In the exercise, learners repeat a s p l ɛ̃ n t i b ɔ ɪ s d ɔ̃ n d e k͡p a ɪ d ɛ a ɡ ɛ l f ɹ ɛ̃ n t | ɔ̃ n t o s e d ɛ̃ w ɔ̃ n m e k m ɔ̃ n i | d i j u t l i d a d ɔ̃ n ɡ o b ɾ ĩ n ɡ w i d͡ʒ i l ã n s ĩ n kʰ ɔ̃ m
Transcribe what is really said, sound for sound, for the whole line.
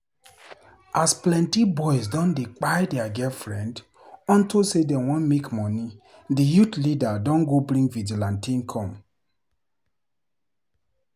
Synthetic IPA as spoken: a s p l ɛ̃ n t i b ɔ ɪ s d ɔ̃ n d e k͡p a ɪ d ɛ a ɡ ɛ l f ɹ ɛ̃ n d | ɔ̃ n t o s e d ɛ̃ w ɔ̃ n m e k m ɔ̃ n i | d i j u t l i d a d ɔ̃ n ɡ o b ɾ ĩ ŋ ɡ v i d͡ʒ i l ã n t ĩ n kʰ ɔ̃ m